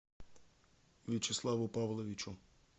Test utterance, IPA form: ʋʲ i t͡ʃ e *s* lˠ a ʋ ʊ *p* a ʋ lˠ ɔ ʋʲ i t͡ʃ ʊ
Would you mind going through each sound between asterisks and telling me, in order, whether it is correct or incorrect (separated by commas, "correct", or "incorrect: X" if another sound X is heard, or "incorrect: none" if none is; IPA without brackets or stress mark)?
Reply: correct, correct